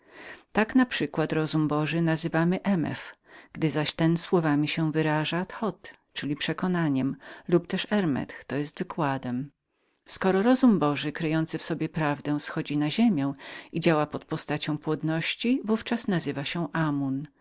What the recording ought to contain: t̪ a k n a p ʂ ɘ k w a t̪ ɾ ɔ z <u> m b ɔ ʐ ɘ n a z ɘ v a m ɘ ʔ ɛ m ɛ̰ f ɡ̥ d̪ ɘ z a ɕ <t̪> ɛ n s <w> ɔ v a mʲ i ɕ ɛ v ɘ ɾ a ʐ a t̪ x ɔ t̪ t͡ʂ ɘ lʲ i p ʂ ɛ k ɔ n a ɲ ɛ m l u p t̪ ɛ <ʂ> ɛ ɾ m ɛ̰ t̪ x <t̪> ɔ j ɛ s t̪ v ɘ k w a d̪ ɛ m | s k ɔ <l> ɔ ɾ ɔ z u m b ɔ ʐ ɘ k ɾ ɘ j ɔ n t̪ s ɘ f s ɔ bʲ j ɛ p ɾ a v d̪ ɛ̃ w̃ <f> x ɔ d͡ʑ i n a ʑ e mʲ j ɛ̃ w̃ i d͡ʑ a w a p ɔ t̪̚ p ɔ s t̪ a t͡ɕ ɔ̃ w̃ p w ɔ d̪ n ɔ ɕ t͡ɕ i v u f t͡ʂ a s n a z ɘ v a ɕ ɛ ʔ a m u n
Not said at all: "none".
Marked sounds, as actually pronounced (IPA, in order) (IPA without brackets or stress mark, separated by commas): u, t̪, w, ʂ, t̪, ɾ, s